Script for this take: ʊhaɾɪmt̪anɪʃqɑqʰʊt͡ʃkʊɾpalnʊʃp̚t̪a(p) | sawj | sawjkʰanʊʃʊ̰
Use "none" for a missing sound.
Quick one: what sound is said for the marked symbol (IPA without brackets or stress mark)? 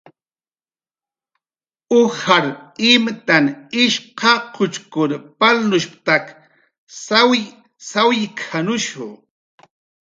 k